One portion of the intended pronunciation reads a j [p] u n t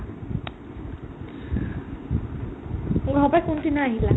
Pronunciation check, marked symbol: incorrect: k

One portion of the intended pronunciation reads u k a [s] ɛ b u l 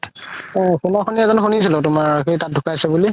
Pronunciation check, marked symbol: correct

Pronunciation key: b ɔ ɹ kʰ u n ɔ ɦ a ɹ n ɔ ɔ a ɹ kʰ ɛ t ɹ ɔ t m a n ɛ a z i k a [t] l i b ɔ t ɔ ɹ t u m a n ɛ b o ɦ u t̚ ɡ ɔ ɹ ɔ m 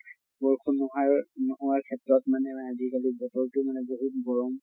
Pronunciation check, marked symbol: incorrect: none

